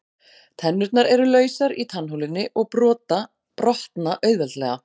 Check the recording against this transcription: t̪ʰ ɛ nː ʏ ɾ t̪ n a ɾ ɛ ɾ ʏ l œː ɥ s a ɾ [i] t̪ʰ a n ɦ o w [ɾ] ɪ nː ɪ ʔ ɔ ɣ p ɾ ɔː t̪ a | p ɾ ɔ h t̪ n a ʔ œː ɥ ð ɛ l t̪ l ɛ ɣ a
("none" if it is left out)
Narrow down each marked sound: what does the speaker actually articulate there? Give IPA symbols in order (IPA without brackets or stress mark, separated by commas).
i, l